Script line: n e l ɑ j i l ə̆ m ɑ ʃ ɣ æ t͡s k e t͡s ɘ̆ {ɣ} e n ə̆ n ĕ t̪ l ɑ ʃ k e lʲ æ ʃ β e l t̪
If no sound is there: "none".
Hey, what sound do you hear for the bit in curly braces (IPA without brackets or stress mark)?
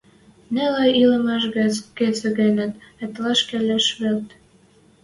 ɣ